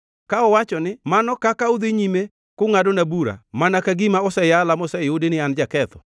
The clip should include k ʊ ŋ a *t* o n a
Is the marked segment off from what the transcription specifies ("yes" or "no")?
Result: yes